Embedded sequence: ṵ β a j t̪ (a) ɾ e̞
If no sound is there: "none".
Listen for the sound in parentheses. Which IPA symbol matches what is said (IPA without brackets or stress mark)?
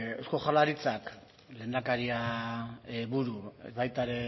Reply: a